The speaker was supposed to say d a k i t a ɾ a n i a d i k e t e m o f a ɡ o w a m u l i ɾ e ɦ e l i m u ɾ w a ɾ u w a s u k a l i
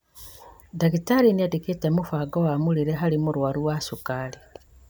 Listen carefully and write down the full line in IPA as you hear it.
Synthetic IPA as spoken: d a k i t a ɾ i n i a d i k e t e m u f a ɡ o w a m u l i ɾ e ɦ a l i m u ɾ w a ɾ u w a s u k a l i